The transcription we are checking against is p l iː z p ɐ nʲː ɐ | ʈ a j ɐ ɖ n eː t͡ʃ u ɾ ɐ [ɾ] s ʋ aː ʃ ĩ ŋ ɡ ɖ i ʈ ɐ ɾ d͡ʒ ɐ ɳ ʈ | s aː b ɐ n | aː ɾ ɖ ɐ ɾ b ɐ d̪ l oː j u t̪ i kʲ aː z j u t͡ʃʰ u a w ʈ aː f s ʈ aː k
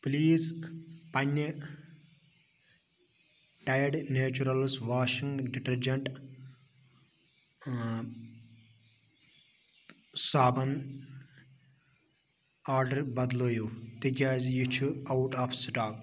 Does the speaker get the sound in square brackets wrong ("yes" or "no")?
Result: yes